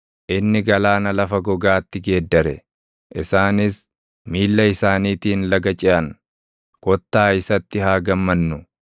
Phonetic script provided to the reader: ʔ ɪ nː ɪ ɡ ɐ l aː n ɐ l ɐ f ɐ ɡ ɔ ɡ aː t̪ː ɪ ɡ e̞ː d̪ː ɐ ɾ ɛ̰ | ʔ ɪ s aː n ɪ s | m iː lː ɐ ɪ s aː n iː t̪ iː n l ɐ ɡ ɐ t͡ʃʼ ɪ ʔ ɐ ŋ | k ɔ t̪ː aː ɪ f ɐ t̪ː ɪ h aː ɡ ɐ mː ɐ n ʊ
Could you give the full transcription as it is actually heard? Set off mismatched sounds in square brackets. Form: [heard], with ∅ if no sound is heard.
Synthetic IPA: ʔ ɪ nː ɪ ɡ ɐ l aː n ɐ l ɐ f ɐ ɡ ɔ ɡ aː t̪ː ɪ ɡ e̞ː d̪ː ɐ ɾ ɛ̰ | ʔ ɪ s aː n ɪ s | m iː lː ɐ ɪ s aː n iː t̪ iː n l ɐ ɡ ɐ t͡ʃʼ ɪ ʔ ɐ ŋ | k ɔ t̪ː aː ɪ [s] ɐ t̪ː ɪ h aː ɡ ɐ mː ɐ [nː] ʊ

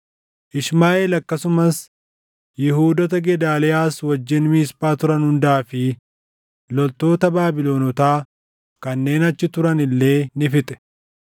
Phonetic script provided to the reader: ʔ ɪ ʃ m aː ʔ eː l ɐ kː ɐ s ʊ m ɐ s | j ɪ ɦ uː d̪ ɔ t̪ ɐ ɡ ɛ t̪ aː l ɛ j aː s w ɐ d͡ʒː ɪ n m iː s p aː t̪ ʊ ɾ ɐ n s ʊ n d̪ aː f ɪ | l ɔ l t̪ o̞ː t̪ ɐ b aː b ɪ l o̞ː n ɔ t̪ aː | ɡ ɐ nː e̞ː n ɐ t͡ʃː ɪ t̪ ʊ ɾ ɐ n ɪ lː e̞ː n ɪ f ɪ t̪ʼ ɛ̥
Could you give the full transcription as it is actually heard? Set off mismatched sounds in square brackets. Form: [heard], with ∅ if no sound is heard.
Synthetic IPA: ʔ ɪ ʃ m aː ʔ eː l ɐ kː ɐ s ʊ m ɐ s | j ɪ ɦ uː d̪ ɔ t̪ ɐ ɡ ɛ [d̪] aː l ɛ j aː s w ɐ d͡ʒː ɪ n m iː s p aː t̪ ʊ ɾ ɐ n [h] ʊ n d̪ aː f ɪ | l ɔ l t̪ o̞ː t̪ ɐ b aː b ɪ l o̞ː n ɔ t̪ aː | [k] ɐ nː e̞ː n ɐ t͡ʃː ɪ t̪ ʊ ɾ ɐ n ɪ lː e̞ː n ɪ f ɪ t̪ʼ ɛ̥

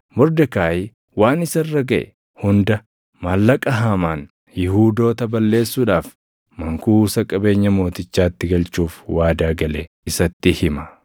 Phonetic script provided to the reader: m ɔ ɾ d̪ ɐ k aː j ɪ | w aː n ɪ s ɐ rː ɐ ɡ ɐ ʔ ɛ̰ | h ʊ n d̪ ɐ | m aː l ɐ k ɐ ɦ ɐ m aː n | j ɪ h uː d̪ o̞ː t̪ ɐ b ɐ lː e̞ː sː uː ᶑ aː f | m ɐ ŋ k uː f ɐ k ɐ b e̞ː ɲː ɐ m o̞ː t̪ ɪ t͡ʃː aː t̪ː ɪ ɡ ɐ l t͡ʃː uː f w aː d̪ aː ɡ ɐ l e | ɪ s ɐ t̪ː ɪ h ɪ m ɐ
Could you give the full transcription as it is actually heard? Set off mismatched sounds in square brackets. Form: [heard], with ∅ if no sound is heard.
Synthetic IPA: m ɔ ɾ d̪ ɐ k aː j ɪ | w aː n ɪ s ɐ rː ɐ ɡ ɐ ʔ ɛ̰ | h ʊ n d̪ ɐ | m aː [lː] ɐ [kʼ] ɐ ɦ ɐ m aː n | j ɪ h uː d̪ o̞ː t̪ ɐ b ɐ lː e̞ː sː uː ᶑ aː f | m ɐ ŋ k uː [s] ɐ [kʼ] ɐ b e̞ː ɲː ɐ m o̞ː t̪ ɪ t͡ʃː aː t̪ː ɪ ɡ ɐ l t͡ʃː uː f w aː d̪ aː ɡ ɐ l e | ɪ s ɐ t̪ː ɪ h ɪ m ɐ

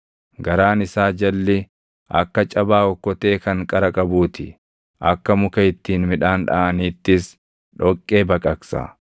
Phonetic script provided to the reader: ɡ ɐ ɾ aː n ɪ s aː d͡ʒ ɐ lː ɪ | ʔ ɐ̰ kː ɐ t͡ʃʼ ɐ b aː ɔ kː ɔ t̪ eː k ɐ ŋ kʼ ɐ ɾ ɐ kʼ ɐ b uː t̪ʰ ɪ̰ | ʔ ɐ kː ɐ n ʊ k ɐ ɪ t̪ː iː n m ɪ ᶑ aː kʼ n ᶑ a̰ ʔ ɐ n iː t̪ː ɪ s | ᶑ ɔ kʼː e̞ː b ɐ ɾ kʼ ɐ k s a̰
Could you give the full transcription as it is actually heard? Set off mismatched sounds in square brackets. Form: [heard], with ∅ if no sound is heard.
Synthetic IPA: ɡ ɐ ɾ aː n ɪ s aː d͡ʒ ɐ lː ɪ | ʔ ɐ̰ kː ɐ t͡ʃʼ ɐ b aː ɔ kː ɔ t̪ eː k ɐ ŋ kʼ ɐ ɾ ɐ kʼ ɐ b uː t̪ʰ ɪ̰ | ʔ ɐ kː ɐ [m] ʊ k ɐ ɪ t̪ː iː n m ɪ ᶑ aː [∅] n ᶑ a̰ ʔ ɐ n iː t̪ː ɪ s | ᶑ ɔ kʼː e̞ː b ɐ [∅] kʼ ɐ k s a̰

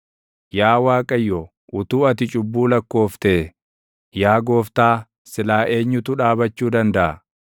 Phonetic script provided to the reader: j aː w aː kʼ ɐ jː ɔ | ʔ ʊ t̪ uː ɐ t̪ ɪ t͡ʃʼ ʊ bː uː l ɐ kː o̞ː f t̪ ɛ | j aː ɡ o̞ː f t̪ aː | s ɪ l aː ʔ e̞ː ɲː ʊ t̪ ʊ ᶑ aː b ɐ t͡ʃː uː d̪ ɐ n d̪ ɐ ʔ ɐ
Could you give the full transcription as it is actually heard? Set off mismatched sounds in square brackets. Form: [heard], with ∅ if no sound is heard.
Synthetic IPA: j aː w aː kʼ ɐ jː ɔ | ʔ ʊ t̪ uː ɐ t̪ ɪ t͡ʃʼ ʊ bː uː l ɐ kː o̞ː f t̪ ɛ | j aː ɡ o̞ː f t̪ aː | s ɪ l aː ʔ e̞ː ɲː ʊ t̪ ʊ ᶑ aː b ɐ t͡ʃː uː d̪ ɐ n d̪ ɐ ʔ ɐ

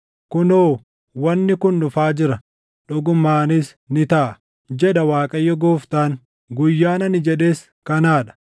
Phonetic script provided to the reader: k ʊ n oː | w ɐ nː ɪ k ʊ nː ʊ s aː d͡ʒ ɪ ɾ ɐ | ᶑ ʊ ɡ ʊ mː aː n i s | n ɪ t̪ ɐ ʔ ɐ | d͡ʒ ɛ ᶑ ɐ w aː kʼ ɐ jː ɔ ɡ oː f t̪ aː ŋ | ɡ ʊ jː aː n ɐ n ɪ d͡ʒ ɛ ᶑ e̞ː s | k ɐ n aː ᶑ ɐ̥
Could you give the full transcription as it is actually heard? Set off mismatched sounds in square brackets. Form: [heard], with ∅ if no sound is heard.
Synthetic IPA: k ʊ n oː | w ɐ nː ɪ k ʊ nː ʊ [f] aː d͡ʒ ɪ ɾ ɐ | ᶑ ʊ ɡ ʊ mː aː n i s | n ɪ t̪ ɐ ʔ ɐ | d͡ʒ ɛ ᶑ ɐ w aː kʼ ɐ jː ɔ ɡ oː f t̪ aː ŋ | ɡ ʊ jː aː n ɐ n ɪ d͡ʒ ɛ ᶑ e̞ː s | k ɐ n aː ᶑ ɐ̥

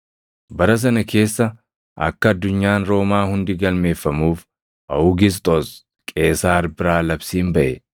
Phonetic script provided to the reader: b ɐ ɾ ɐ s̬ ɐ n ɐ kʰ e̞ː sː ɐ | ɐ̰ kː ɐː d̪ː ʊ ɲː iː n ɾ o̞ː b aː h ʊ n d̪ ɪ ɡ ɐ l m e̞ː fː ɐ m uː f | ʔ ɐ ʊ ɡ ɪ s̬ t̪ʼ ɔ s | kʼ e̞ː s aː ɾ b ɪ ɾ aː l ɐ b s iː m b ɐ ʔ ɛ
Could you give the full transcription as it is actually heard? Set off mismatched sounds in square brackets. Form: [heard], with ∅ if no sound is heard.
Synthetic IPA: b ɐ ɾ ɐ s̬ ɐ n ɐ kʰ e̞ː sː ɐ | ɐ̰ kː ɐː d̪ː ʊ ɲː [aː] n ɾ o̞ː [m] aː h ʊ n d̪ ɪ ɡ ɐ l m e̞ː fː ɐ m uː f | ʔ ɐ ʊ ɡ ɪ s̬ t̪ʼ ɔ s | kʼ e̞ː s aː ɾ b ɪ ɾ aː l ɐ b s iː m b ɐ ʔ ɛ

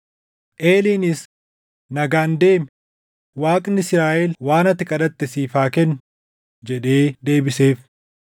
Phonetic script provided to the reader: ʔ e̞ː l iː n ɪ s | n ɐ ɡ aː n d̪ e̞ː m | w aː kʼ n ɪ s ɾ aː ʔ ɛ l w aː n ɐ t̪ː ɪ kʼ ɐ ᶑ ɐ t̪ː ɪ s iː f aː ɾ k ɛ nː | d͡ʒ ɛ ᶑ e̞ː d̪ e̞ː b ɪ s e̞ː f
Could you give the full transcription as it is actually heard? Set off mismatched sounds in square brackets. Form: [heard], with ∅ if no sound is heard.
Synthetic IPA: ʔ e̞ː l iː n ɪ s | n ɐ ɡ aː n d̪ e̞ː m | w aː kʼ n ɪ s ɾ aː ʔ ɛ l w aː n ɐ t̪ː ɪ kʼ ɐ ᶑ ɐ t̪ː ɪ s iː f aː [∅] k ɛ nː | d͡ʒ ɛ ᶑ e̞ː d̪ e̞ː b ɪ s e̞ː f

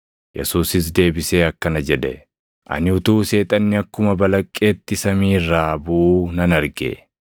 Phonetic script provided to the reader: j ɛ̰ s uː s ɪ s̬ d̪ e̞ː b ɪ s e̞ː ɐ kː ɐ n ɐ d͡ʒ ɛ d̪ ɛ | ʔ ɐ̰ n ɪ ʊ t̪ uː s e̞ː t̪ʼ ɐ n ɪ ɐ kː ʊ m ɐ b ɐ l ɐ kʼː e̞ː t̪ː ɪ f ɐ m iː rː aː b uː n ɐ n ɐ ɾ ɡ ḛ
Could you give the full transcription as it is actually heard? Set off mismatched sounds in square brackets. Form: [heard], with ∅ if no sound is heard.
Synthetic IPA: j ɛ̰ s uː s ɪ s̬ d̪ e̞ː b ɪ s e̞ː ɐ kː ɐ n ɐ d͡ʒ ɛ d̪ ɛ | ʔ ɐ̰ n ɪ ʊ t̪ uː s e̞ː t̪ʼ ɐ [nː] ɪ ɐ kː ʊ m ɐ b ɐ l ɐ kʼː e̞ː t̪ː ɪ [s] ɐ m iː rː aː b uː n ɐ n ɐ ɾ ɡ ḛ

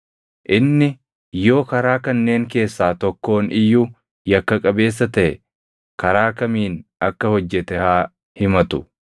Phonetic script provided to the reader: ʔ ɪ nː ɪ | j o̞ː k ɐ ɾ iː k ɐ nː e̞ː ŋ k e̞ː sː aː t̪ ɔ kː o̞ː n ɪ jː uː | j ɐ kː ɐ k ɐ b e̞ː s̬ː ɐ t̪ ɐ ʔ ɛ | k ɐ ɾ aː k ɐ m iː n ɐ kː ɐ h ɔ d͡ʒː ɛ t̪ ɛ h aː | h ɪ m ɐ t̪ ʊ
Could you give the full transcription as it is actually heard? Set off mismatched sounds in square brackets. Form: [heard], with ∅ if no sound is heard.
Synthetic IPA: ʔ ɪ nː ɪ | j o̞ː k ɐ ɾ [aː] k ɐ nː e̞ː ŋ k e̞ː sː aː t̪ ɔ kː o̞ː n ɪ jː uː | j ɐ kː ɐ [kʼ] ɐ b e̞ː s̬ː ɐ t̪ ɐ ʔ ɛ | k ɐ ɾ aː k ɐ m iː n ɐ kː ɐ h ɔ d͡ʒː ɛ t̪ ɛ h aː | h ɪ m ɐ t̪ ʊ

